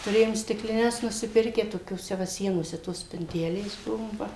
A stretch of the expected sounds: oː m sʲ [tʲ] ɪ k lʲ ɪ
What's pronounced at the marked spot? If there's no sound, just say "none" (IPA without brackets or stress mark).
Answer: tʲ